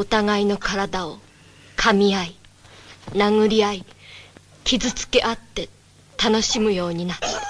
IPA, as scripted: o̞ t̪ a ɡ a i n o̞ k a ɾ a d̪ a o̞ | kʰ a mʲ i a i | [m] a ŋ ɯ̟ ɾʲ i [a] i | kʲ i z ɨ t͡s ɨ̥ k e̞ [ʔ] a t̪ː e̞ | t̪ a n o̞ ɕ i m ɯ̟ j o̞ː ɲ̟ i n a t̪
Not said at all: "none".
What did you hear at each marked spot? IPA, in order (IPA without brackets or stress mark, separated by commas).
n, a, ʔ